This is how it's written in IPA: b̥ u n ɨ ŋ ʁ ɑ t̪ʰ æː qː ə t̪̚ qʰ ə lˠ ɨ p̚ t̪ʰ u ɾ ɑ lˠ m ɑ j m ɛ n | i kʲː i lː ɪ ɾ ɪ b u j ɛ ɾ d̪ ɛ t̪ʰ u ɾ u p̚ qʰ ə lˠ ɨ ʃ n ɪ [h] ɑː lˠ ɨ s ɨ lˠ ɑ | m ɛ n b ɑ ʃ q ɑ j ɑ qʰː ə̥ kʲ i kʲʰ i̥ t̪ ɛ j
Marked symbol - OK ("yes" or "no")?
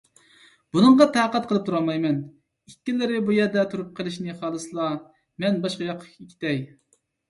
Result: no